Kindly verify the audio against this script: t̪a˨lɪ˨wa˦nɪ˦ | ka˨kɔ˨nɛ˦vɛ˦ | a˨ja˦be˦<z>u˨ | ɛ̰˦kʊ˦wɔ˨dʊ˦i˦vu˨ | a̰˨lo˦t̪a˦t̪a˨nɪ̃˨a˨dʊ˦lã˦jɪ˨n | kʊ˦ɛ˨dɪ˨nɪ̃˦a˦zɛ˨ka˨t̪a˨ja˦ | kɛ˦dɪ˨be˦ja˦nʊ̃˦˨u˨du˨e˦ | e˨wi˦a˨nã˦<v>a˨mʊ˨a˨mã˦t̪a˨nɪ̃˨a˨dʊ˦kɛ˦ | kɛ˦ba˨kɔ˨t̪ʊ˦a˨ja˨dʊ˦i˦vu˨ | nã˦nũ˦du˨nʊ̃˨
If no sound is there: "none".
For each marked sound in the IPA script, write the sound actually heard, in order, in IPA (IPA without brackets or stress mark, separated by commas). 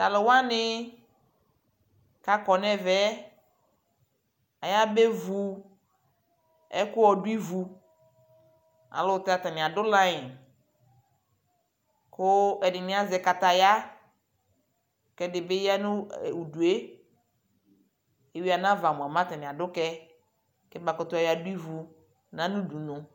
v, v